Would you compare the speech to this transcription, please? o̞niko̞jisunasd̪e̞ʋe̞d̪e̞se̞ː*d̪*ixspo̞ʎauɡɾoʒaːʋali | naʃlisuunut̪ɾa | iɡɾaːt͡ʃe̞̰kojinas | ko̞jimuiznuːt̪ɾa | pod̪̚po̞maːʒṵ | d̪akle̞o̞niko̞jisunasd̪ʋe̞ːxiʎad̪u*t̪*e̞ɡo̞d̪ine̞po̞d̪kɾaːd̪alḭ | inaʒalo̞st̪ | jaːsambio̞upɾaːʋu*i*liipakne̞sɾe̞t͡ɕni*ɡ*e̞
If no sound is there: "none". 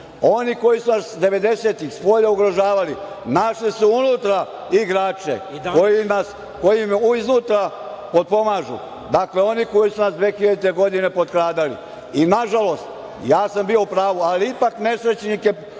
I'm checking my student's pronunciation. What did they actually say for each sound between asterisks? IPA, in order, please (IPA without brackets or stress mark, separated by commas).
t̪, t̪, a, k